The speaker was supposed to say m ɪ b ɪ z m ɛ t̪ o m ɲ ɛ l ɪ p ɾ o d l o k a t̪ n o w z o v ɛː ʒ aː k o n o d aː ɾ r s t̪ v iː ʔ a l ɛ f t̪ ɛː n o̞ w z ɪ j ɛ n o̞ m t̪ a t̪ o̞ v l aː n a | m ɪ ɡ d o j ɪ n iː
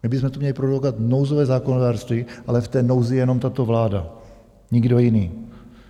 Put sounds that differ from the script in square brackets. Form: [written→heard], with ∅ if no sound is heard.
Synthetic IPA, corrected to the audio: m ɪ b ɪ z m ɛ t̪ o m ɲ ɛ l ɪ p ɾ o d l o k a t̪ n o w z o v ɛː [ʒ→z] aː k o n o d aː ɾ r s t̪ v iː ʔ a l ɛ f t̪ ɛː n o̞ w z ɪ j ɛ n o̞ m t̪ a t̪ o̞ v l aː [n→d] a | [m→ɲ] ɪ ɡ d o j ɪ n iː